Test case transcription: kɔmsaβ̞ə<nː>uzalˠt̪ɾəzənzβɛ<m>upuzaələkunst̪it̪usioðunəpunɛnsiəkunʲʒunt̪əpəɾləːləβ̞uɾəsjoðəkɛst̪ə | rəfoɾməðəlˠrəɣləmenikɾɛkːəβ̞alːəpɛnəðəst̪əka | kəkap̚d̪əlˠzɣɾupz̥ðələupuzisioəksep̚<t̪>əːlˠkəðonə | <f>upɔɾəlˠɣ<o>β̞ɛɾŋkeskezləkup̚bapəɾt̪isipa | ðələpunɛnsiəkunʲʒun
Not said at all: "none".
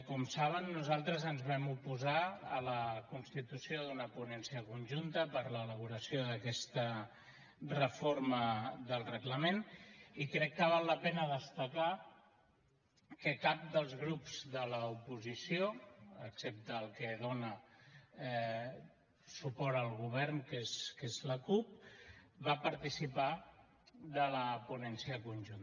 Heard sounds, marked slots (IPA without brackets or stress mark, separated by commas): nː, m, t̪, s, u